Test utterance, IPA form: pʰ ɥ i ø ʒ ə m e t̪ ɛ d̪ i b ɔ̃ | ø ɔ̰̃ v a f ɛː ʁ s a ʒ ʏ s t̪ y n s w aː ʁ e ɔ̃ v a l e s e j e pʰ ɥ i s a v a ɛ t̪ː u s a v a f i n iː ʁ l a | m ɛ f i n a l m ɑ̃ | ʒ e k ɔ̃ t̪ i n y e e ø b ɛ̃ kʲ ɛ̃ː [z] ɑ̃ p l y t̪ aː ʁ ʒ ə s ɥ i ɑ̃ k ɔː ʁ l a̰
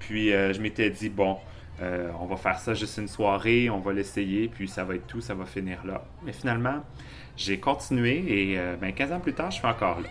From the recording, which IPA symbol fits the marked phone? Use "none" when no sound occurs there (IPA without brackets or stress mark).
z